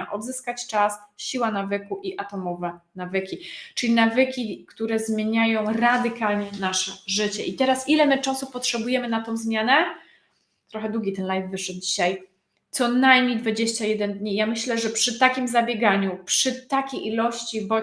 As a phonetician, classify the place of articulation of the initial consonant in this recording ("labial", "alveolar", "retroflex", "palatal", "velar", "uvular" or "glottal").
glottal